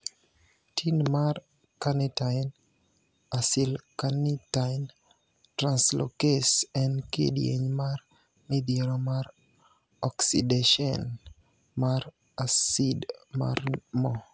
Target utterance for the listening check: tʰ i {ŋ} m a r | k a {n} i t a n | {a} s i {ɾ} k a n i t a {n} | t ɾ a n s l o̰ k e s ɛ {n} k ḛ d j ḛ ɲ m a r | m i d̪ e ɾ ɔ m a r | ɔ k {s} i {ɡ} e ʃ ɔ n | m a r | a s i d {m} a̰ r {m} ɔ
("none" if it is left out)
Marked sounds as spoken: n, n, a, l, n, n, s, d, m, m

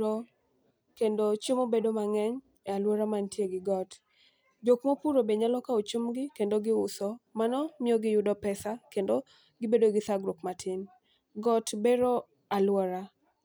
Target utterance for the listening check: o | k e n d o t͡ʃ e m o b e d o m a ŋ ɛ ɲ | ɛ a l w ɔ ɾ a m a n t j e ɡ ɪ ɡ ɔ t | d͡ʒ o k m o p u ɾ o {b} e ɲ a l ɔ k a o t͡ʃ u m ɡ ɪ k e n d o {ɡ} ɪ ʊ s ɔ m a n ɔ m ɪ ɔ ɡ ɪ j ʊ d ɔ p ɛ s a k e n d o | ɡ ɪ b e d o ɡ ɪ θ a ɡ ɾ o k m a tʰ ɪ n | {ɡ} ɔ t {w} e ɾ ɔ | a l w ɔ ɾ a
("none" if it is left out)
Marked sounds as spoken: b, ɡ, ɡ, b

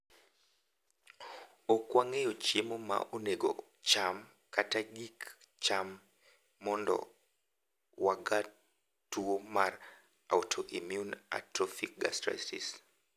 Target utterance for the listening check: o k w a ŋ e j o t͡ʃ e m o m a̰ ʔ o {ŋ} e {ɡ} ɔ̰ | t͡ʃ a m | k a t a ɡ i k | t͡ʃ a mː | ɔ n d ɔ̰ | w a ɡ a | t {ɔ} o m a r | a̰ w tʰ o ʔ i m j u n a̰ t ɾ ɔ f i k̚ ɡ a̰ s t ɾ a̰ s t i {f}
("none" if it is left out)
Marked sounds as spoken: n, ɡ, u, s

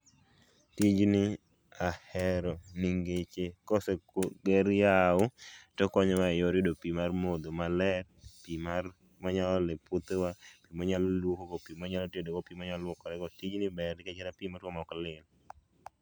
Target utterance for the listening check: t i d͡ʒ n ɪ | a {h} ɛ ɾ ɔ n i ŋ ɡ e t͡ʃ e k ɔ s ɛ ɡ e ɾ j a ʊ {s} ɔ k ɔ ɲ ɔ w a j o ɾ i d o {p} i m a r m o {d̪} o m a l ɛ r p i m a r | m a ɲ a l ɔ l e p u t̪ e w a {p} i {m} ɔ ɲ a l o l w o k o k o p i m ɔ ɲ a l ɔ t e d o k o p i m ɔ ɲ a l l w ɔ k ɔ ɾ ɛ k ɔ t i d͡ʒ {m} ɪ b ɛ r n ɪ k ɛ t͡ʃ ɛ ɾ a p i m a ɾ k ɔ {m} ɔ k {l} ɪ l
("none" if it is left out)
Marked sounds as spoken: h, t, p, d̪, p, m, n, m, l

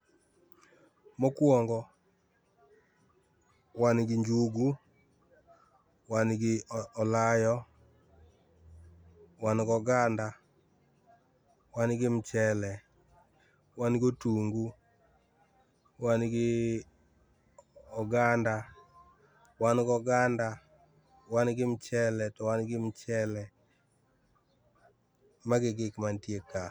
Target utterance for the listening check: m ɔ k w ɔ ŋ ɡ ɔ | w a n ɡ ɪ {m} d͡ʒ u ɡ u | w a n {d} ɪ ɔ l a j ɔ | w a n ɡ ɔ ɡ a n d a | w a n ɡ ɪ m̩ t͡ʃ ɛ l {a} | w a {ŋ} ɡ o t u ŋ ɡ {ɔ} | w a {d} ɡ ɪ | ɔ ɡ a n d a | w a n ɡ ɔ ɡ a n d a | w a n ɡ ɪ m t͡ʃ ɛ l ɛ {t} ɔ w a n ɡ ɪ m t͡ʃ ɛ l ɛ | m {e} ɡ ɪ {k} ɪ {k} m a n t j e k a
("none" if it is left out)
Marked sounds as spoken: ɲ, ɡ, ɛ, n, u, n, t, a, ɡ, k

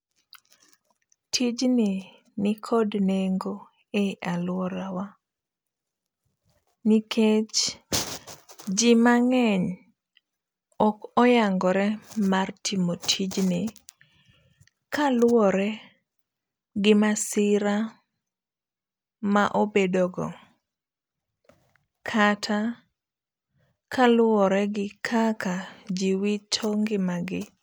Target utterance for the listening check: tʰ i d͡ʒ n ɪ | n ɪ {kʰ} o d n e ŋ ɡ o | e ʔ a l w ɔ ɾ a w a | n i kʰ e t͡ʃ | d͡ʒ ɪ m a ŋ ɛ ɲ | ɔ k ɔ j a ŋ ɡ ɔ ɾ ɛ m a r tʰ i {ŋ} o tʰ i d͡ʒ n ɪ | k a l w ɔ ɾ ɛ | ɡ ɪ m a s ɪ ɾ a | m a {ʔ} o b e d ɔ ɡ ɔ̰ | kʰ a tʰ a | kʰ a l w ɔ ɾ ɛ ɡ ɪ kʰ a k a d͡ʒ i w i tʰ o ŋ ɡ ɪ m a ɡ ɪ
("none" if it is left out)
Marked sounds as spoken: kʰ, m, ʔ

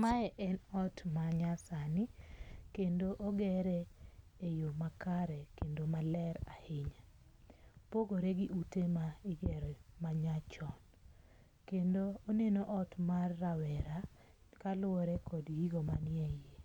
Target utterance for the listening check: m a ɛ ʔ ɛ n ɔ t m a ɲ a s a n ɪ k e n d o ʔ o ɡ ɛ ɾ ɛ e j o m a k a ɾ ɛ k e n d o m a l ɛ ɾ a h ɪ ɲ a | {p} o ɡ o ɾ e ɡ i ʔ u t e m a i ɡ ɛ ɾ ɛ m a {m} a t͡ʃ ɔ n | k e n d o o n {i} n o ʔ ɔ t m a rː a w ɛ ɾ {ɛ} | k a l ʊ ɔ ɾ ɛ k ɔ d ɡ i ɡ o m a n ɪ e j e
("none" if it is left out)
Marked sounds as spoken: p, ɲ, e, a

